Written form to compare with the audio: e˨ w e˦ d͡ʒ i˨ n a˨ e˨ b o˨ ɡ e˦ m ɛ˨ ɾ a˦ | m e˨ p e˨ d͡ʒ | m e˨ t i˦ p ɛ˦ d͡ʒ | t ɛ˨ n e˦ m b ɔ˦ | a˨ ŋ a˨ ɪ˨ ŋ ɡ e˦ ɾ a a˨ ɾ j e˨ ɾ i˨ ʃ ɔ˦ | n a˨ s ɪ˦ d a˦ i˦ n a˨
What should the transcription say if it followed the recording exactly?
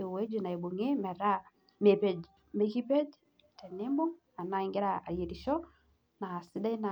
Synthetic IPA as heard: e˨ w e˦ d͡ʒ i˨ n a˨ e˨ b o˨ ŋ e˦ m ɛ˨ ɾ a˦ | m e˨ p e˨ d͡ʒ | m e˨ k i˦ p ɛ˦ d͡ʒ | t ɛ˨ n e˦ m b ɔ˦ | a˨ n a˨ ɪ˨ ŋ ɡ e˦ ɾ a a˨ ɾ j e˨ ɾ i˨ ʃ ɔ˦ | n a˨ s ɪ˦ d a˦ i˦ n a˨